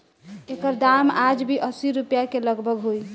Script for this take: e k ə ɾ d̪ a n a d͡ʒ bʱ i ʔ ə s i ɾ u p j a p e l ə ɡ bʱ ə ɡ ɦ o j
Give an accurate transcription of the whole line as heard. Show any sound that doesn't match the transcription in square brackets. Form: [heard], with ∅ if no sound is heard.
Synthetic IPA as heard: e k ə ɾ d̪ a [m] a d͡ʒ bʱ i ʔ ə s i ɾ u p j a [k] e l ə ɡ bʱ ə ɡ ɦ o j